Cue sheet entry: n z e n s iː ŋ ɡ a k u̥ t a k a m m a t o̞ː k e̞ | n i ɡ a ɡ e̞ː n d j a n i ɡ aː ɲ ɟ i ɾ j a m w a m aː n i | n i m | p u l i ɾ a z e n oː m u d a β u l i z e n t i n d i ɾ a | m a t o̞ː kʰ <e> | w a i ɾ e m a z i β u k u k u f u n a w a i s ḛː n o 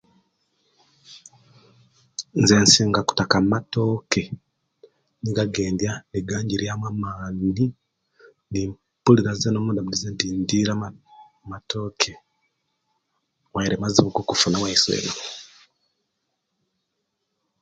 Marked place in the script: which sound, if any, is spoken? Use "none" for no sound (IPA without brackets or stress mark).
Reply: e